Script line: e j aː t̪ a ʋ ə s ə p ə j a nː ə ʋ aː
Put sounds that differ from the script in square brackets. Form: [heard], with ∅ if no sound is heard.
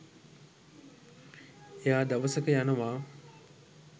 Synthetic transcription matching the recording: e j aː [d̪] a ʋ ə s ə [k] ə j a [n] ə ʋ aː